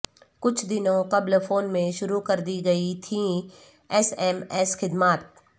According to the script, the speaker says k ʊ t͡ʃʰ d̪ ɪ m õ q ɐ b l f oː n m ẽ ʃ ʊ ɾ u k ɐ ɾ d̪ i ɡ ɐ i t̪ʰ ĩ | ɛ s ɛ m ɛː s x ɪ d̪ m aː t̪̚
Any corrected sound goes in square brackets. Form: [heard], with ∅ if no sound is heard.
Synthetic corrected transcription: k ʊ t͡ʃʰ d̪ ɪ [n] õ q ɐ b l f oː n m ẽ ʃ ʊ ɾ u k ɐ ɾ d̪ i ɡ ɐ i t̪ʰ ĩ | ɛ s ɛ m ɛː s x ɪ d̪ m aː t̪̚

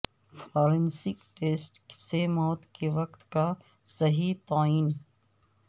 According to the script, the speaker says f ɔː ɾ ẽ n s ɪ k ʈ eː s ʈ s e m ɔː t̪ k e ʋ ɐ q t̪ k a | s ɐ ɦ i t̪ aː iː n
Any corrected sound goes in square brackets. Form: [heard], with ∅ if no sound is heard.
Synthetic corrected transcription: f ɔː ɾ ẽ n s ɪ k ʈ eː s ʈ s e m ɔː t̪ k e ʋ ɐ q t̪ k a | s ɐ ɦ i t̪ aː iː n

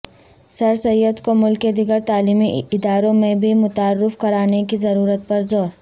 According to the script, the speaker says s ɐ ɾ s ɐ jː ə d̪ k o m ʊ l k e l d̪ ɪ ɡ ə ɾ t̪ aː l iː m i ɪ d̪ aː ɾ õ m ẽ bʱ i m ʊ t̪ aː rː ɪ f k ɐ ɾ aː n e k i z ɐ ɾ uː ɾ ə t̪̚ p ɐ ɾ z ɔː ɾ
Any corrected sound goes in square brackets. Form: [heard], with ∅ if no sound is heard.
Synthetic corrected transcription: s ɐ ɾ s ɐ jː ə d̪ k o m ʊ l k e [∅] d̪ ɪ ɡ ə ɾ t̪ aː l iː m i ɪ d̪ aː ɾ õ m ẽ bʱ i m ʊ t̪ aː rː ɪ f k ɐ ɾ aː n e k i z ɐ ɾ uː ɾ ə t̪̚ p ɐ ɾ z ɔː ɾ

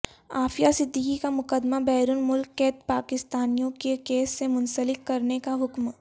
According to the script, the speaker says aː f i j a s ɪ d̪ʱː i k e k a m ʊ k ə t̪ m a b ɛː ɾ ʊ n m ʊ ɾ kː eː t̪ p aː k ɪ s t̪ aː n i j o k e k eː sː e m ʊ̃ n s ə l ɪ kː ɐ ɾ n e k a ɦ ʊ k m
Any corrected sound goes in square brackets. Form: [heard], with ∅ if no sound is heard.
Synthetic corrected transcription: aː f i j a s ɪ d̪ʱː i k [i] k a m ʊ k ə [d̪] m a b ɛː ɾ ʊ n m ʊ [l] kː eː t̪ p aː k ɪ s t̪ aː n i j [õ] k e k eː sː e m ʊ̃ n s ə l ɪ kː ɐ ɾ n e k a ɦ ʊ k m

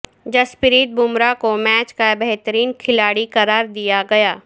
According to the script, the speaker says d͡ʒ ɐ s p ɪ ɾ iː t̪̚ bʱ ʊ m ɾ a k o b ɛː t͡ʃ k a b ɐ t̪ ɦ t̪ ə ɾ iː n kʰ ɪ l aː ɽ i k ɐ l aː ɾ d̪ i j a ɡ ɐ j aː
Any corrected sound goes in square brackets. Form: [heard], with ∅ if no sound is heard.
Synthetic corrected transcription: d͡ʒ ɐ s p ɪ ɾ iː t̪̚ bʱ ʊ m ɾ a k o [m] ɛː t͡ʃ k a b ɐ [∅] ɦ t̪ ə ɾ iː n kʰ ɪ l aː ɽ i k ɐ [ɾ] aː ɾ d̪ i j a ɡ ɐ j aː

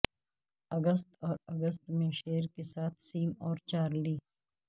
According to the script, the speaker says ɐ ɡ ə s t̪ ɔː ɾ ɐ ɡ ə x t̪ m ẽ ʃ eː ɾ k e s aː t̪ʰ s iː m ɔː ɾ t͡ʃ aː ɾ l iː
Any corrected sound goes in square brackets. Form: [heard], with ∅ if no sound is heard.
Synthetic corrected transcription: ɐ ɡ ə s t̪ ɔː ɾ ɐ ɡ ə [s] t̪ m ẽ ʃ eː ɾ k e s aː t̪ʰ s iː m ɔː ɾ t͡ʃ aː ɾ l iː

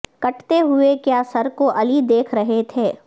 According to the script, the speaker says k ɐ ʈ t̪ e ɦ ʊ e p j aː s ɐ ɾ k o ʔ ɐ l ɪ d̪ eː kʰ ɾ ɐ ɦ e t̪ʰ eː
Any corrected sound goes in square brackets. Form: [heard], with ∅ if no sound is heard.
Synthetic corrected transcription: k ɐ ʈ t̪ e ɦ ʊ e [k] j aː s ɐ ɾ k o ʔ ɐ l [i] d̪ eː kʰ ɾ ɐ ɦ e t̪ʰ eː

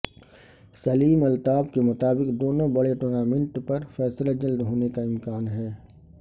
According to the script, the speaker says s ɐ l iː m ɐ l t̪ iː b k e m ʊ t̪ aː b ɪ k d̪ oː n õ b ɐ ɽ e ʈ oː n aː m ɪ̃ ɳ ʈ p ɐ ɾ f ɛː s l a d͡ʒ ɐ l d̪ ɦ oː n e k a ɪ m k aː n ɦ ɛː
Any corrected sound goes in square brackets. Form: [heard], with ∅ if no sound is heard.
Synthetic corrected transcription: s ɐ l iː m ɐ l t̪ [aː] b k e m ʊ t̪ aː b ɪ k d̪ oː n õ b ɐ ɽ e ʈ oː n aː m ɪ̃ ɳ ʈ p ɐ ɾ f ɛː s l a d͡ʒ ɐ l d̪ ɦ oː n e k a ɪ m k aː n ɦ ɛː

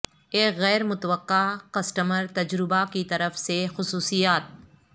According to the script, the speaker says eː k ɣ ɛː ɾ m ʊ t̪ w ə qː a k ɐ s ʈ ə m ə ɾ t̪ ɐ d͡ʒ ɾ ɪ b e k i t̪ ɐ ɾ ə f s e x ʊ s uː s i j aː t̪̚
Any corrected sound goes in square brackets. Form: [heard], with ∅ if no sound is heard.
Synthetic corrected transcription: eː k ɣ ɛː ɾ m ʊ t̪ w ə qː a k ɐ s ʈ ə m ə ɾ t̪ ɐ d͡ʒ ɾ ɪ b [a] k i t̪ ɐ ɾ ə f s e x ʊ s uː s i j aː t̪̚

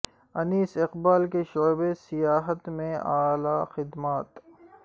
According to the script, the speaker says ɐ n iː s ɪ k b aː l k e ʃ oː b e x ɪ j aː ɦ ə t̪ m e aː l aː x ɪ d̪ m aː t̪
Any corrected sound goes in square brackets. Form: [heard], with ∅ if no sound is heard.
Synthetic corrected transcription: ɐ n iː s ɪ [q] b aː l k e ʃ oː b e [s] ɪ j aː ɦ ə t̪ m [ẽ] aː l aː x ɪ d̪ m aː t̪

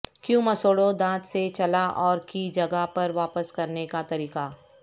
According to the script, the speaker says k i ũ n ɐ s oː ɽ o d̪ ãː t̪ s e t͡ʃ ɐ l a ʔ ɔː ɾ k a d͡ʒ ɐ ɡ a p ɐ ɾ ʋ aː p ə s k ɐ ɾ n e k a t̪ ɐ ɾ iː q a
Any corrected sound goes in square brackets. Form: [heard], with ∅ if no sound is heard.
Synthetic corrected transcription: k [j] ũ [m] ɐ s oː ɽ o d̪ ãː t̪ s e t͡ʃ ɐ l a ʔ ɔː ɾ k [i] d͡ʒ ɐ ɡ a p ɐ ɾ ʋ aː p ə s k ɐ ɾ n e k a t̪ ɐ ɾ iː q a

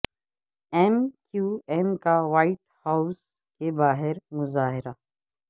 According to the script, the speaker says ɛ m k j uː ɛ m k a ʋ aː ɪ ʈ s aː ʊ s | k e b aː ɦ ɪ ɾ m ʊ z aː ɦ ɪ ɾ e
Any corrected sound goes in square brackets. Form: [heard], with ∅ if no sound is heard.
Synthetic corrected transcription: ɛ m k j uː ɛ m k a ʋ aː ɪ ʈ [h] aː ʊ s | k e b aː ɦ ɪ ɾ m ʊ z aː ɦ ɪ ɾ [a]

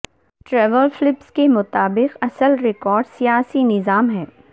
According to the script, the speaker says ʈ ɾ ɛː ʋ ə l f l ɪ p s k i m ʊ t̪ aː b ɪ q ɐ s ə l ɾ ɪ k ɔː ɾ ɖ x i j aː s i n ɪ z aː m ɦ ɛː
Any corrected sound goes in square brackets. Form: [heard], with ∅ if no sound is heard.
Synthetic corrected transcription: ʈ ɾ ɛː ʋ ə l f l ɪ p s k [e] m ʊ t̪ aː b ɪ q ɐ s ə l ɾ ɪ k ɔː ɾ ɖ [s] i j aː s i n ɪ z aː m ɦ ɛː

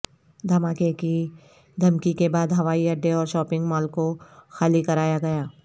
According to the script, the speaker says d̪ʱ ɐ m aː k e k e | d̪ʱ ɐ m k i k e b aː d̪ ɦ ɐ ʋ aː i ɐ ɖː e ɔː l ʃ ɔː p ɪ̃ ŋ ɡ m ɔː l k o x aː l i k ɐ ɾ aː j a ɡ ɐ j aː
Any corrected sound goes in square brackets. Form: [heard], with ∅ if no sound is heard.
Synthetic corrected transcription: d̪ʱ ɐ m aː k e k [i] | d̪ʱ ɐ m k i k e b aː d̪ ɦ ɐ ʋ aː i ɐ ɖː e ɔː [ɾ] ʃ ɔː p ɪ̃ ŋ ɡ m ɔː l k o x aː l i k ɐ ɾ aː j a ɡ ɐ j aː

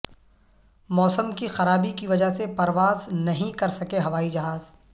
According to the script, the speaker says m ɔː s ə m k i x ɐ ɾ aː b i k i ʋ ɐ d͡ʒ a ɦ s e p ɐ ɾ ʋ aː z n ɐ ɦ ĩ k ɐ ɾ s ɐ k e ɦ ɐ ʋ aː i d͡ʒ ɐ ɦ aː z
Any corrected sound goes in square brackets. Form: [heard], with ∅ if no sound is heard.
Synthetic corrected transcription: m ɔː s ə m k i x ɐ ɾ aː b i k i ʋ ɐ d͡ʒ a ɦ s e p ɐ ɾ ʋ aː z n ɐ ɦ ĩ k ɐ ɾ s ɐ k e ɦ ɐ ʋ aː i d͡ʒ ɐ ɦ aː z

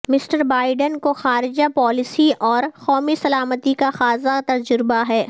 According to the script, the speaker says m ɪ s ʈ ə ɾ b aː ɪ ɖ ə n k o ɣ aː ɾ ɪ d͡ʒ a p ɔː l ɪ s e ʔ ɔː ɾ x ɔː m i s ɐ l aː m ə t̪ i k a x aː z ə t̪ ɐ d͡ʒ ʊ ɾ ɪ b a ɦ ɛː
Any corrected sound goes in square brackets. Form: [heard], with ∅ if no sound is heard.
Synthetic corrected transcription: m ɪ s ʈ ə ɾ b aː ɪ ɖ ə n k o [x] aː ɾ ɪ d͡ʒ a p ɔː l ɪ s [i] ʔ ɔː ɾ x ɔː m i s ɐ l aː m ə t̪ i k a x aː z [a] t̪ ɐ d͡ʒ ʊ ɾ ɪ b a ɦ ɛː

